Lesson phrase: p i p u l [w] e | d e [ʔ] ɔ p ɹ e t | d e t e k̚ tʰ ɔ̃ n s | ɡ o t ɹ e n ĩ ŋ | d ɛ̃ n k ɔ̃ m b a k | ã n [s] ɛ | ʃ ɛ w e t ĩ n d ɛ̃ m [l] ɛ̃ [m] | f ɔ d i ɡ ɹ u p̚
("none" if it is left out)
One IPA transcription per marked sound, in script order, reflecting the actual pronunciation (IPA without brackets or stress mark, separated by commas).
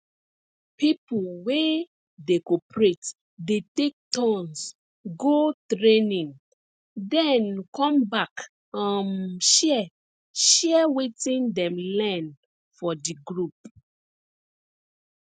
w, k, ʃ, l, n